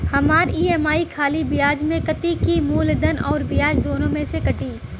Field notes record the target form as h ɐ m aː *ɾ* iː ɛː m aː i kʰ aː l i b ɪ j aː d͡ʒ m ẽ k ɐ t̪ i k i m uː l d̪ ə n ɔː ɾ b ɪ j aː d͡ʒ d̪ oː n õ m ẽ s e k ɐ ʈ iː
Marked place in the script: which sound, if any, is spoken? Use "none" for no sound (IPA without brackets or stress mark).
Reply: ɾ